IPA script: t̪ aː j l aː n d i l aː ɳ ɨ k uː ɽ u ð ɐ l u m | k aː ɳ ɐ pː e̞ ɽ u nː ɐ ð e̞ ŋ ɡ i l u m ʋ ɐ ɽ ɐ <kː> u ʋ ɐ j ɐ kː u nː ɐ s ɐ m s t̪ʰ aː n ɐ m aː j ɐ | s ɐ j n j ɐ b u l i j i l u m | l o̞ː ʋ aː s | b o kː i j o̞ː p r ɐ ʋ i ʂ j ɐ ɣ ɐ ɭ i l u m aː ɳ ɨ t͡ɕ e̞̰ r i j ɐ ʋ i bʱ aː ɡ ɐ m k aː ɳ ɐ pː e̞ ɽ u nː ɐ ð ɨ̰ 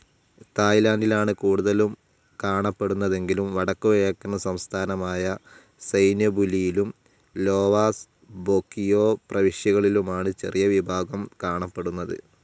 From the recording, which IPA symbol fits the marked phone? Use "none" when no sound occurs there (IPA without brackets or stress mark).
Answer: kː